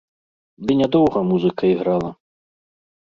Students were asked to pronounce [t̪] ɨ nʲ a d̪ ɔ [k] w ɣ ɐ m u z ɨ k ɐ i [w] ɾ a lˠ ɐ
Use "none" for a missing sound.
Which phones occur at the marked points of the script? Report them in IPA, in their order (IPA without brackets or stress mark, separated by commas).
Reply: d̪, none, ɣ